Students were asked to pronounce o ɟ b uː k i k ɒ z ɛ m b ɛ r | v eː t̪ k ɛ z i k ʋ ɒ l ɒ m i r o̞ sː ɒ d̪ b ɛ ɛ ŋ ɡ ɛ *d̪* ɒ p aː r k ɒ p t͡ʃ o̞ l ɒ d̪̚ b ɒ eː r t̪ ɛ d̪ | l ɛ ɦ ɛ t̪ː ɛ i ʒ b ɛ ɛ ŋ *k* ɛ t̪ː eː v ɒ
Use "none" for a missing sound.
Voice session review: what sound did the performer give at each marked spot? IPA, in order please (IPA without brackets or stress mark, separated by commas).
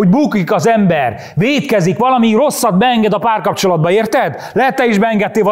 d̪, ɡ